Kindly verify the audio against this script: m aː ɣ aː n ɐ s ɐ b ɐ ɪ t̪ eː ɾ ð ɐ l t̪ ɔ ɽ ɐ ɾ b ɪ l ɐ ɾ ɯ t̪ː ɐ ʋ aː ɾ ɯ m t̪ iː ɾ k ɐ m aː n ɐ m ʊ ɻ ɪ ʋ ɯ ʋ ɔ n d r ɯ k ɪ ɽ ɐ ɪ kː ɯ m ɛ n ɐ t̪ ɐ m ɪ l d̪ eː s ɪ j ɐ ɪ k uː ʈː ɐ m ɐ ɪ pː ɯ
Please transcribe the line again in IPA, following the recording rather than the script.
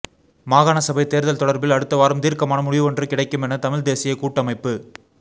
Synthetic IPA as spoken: m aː ɣ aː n ɐ s ɐ b ɐ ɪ t̪ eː ɾ ð ɐ l t̪ ɔ ɽ ɐ ɾ b ɪ l ɐ ɽ ɯ t̪ː ɐ ʋ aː ɾ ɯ m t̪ iː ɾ k ɐ m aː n ɐ m ʊ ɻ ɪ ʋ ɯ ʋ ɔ n d r ɯ k ɪ ɽ ɐ ɪ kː ɯ m ɛ n ɐ t̪ ɐ m ɪ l d̪ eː s ɪ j ɐ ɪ k uː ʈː ɐ m ɐ ɪ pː ɯ